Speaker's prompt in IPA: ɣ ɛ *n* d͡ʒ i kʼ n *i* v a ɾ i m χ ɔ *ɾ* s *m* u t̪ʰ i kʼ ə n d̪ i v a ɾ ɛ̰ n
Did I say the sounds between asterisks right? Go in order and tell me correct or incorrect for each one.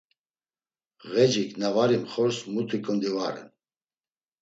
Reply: incorrect: none, incorrect: a, correct, correct

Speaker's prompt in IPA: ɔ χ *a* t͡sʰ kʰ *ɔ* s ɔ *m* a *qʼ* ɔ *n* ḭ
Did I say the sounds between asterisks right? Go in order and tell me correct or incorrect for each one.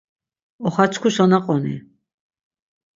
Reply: correct, incorrect: u, incorrect: n, correct, correct

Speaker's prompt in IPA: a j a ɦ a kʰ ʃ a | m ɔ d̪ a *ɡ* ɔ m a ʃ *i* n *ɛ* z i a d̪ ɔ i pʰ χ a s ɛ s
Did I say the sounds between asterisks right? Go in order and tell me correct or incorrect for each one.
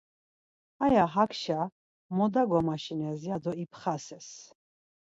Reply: correct, correct, correct

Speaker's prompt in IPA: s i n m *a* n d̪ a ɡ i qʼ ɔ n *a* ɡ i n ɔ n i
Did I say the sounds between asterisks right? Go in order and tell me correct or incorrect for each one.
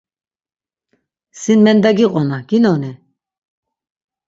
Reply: incorrect: ɛ, correct

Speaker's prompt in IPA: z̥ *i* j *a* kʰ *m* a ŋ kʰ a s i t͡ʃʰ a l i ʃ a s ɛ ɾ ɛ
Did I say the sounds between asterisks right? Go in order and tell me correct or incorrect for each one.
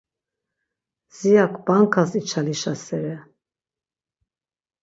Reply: correct, correct, incorrect: b

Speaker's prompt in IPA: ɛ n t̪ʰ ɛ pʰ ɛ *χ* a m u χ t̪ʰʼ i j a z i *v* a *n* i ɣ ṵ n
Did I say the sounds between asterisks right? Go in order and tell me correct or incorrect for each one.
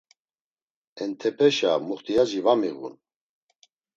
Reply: incorrect: ʃ, correct, incorrect: m

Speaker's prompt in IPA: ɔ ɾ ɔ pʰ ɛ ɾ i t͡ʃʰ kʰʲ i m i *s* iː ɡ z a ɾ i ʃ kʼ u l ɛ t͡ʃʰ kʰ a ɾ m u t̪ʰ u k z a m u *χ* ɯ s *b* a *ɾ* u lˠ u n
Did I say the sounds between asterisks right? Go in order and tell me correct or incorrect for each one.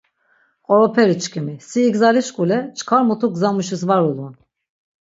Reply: correct, incorrect: ʃ, incorrect: v, correct

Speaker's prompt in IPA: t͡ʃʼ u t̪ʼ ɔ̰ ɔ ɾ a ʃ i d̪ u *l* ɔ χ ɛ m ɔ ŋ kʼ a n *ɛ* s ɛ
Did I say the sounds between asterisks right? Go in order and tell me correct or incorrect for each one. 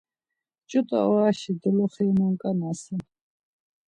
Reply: correct, incorrect: a

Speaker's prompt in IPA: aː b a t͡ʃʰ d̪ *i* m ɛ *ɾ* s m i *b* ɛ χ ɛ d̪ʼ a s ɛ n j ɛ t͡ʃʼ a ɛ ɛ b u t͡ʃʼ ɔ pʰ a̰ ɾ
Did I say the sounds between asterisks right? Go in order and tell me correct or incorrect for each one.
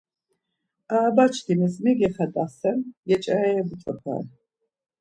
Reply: correct, incorrect: none, incorrect: ɡ

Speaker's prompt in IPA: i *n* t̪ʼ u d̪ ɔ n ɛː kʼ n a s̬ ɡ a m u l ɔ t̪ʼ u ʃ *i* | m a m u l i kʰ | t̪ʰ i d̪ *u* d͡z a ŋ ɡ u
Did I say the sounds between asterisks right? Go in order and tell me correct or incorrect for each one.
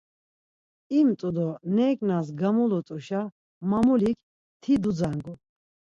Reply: incorrect: m, incorrect: a, correct

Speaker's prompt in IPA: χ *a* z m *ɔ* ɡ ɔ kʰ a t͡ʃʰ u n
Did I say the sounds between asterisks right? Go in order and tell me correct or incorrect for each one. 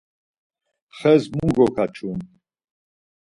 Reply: incorrect: ɛ, incorrect: u

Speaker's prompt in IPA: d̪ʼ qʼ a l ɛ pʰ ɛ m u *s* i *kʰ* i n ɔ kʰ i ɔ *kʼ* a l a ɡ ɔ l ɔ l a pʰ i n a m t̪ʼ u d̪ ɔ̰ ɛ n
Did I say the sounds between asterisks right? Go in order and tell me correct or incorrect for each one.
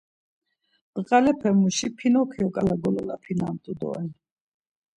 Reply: incorrect: ʃ, incorrect: pʰ, correct

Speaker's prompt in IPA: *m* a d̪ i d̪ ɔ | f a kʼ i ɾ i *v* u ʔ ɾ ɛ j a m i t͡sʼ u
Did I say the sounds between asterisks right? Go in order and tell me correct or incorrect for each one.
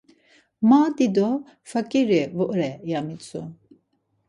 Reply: correct, correct

